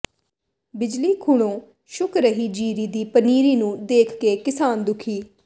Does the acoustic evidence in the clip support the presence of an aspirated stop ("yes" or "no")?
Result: yes